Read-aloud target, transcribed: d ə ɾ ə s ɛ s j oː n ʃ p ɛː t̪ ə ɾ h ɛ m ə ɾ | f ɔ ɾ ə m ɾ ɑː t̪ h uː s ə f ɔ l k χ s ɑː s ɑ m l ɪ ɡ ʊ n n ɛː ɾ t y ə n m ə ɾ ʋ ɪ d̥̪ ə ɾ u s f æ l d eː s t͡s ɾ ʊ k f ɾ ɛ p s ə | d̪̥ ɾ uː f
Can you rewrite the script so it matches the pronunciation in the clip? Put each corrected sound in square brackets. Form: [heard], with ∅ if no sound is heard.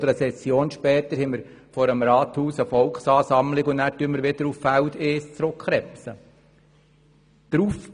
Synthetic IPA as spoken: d ə ɾ ə s ɛ s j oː n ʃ p ɛː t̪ ə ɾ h ɛ m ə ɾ | f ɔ ɾ ə m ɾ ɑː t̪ h uː s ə f ɔ l k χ s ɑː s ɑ m l ɪ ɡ ʊ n n [æː] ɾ t y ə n m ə ɾ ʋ ɪ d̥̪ ə ɾ u [f] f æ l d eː s t͡s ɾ ʊ k [χ] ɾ ɛ p s ə | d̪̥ ɾ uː f